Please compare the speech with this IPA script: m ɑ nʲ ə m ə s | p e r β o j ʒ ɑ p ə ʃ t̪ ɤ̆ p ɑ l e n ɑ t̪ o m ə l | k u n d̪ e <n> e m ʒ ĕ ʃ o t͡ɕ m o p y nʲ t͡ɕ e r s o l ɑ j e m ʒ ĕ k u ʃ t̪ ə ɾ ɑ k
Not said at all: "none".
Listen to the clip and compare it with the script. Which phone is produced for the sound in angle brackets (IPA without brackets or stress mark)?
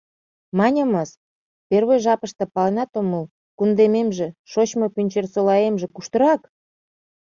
m